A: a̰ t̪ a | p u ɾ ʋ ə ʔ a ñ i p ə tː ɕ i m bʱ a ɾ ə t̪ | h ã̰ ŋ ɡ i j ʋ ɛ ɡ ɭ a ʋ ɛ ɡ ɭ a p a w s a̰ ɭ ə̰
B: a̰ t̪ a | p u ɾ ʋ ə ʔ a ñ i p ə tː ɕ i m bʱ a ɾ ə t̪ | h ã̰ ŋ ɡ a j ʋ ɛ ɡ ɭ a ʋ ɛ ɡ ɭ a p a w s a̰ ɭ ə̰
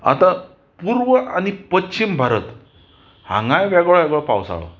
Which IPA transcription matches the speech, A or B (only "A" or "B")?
B